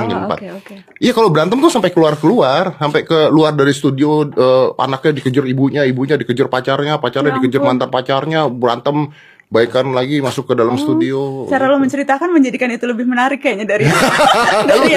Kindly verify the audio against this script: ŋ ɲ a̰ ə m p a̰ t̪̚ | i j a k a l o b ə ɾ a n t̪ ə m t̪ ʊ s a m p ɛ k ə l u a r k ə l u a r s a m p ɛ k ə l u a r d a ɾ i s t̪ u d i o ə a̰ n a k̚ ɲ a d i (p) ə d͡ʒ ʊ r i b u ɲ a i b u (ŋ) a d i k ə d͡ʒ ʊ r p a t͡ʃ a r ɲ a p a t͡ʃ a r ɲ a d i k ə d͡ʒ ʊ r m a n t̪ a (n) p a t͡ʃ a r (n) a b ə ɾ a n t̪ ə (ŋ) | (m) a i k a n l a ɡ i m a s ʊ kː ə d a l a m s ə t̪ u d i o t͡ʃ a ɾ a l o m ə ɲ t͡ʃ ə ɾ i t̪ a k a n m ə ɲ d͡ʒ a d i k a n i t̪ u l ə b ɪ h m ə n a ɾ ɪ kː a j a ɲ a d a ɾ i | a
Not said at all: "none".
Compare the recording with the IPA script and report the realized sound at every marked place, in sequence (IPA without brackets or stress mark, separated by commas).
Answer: k, ɲ, n, ɲ, m, b